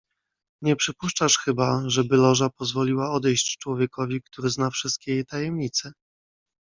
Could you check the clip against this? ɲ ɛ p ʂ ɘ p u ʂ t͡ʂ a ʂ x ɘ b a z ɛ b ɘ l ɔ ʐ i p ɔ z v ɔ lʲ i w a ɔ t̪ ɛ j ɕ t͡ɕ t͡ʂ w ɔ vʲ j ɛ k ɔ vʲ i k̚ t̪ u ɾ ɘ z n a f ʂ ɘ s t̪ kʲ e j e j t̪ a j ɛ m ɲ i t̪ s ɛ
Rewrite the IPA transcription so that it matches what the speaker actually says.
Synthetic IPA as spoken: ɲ ɛ p ʂ ɘ p u ʂ t͡ʂ a ʂ x ɘ b a ʐ ɛ b ɘ l ɔ ʐ a p ɔ z v ɔ lʲ i w a ɔ d̪ ɛ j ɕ t͡ɕ t͡ʂ w ɔ vʲ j ɛ k ɔ vʲ i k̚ t̪ u ɾ ɘ z n a f ʂ ɘ s t̪ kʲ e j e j t̪ a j ɛ m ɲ i t̪ s ɛ